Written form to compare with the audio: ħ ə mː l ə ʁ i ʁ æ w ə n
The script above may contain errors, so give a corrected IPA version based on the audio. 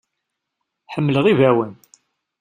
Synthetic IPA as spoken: ħ ə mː l ə ʁ i v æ w ə n